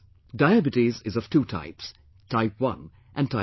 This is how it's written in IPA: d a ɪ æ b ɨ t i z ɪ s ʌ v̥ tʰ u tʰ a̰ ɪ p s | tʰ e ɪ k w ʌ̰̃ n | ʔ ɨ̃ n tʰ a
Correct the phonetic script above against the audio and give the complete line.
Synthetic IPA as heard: d a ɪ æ b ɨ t i z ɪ z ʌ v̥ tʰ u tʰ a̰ ɪ p s | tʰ a ɪ p w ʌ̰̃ n | ʔ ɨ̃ n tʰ a